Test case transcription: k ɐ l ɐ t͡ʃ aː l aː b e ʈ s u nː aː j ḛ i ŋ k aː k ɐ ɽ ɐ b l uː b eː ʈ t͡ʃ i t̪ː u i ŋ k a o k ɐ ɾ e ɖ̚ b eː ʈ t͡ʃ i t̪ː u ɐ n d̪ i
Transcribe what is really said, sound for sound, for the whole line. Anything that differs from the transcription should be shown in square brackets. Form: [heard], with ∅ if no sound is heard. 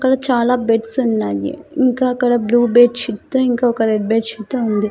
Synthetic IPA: k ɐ [ɽ] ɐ t͡ʃ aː l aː b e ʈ s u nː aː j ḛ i ŋ k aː k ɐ ɽ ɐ b l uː b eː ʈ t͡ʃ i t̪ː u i ŋ k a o k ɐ ɾ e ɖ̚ b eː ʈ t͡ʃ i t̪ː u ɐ n d̪ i

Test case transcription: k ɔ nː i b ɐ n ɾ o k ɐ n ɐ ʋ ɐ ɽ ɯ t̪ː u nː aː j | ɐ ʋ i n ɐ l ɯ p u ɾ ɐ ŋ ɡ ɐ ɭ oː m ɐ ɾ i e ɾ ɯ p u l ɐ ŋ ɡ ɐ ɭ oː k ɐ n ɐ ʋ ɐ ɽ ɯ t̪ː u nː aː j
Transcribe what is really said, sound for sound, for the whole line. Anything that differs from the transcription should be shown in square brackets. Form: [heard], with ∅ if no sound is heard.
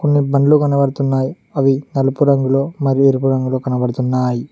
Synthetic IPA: k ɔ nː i b ɐ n [l] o k ɐ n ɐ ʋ ɐ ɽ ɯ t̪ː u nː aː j | ɐ ʋ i n ɐ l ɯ p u ɾ ɐ ŋ ɡ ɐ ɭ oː m ɐ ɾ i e ɾ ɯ p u [ɾ] ɐ ŋ ɡ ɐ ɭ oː k ɐ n ɐ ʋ ɐ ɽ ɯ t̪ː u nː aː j

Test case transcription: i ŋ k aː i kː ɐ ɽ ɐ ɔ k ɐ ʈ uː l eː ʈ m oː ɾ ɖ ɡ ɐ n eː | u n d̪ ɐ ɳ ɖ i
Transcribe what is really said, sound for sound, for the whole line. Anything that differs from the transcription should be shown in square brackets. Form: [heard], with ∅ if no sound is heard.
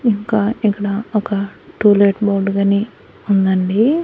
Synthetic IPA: i ŋ k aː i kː ɐ ɽ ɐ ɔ k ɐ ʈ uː l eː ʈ [b] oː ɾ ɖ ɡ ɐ n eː | u n d̪ ɐ ɳ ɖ i

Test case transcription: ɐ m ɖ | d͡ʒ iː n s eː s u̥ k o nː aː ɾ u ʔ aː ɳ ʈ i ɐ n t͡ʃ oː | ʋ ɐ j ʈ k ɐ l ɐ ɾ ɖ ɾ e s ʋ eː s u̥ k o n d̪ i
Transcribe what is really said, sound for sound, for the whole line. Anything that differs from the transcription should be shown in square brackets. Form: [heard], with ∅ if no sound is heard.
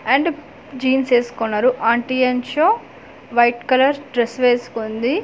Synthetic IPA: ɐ [ɳ] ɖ | d͡ʒ iː n s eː s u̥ k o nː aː ɾ u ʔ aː ɳ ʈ i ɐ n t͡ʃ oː | ʋ ɐ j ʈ k ɐ l ɐ ɾ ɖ ɾ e s ʋ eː s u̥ k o n d̪ i

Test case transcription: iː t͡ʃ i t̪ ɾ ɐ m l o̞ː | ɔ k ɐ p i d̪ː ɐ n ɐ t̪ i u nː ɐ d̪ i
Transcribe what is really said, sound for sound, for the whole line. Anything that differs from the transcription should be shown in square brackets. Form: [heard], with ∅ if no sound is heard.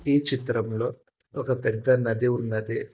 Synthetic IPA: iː t͡ʃ i t̪ ɾ ɐ m l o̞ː | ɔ k ɐ p [ɛ] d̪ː ɐ n ɐ [d̪] i u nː ɐ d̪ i

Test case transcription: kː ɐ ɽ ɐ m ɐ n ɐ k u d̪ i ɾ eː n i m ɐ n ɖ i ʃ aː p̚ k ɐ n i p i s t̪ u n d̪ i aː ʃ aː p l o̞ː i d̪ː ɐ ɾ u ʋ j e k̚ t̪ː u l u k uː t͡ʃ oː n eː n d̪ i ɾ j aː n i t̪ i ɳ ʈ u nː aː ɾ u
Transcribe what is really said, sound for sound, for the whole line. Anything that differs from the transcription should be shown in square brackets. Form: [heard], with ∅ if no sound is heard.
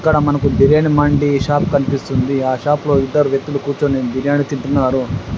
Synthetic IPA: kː ɐ ɽ ɐ m ɐ n ɐ k u d̪ i ɾ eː n i m ɐ [ɳ] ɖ i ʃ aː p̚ k ɐ n i p i s t̪ u n d̪ i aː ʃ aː p l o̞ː i d̪ː ɐ ɾ u ʋ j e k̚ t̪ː u l u k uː t͡ʃ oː n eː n d̪ i ɾ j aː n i t̪ i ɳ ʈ u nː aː ɾ u

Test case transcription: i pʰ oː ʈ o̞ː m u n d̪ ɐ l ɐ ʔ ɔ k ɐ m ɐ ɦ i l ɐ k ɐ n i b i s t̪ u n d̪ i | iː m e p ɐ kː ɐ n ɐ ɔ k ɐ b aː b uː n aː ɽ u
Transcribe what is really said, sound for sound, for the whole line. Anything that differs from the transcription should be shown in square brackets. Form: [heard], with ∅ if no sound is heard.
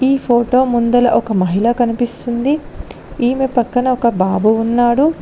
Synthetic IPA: [iː] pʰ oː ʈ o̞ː m u n d̪ ɐ l ɐ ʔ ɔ k ɐ m ɐ ɦ i l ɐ k ɐ n i [p] i s t̪ u n d̪ i | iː m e p ɐ kː ɐ n ɐ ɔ k ɐ b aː b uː [nː] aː ɽ u

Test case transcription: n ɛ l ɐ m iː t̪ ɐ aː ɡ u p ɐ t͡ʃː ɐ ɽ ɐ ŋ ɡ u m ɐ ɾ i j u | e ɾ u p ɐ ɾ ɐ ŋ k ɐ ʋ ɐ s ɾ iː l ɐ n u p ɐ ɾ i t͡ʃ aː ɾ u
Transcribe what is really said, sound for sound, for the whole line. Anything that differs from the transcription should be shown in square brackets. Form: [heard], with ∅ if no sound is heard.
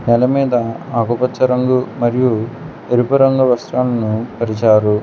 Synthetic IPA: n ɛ l ɐ m iː [d̪] ɐ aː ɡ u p ɐ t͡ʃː ɐ [ɾ] ɐ ŋ ɡ u m ɐ ɾ i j u | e ɾ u p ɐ ɾ ɐ ŋ [ɡ] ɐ ʋ ɐ s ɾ [aː] l ɐ n u p ɐ ɾ i t͡ʃ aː ɾ u

